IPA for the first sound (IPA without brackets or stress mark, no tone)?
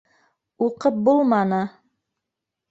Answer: u